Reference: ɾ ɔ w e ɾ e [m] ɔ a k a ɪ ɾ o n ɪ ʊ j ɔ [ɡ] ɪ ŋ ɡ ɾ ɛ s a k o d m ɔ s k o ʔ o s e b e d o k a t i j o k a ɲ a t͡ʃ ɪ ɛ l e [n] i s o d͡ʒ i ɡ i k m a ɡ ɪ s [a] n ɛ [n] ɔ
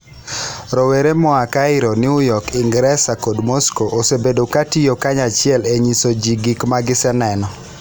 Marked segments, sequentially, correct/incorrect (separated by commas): correct, incorrect, incorrect, incorrect, correct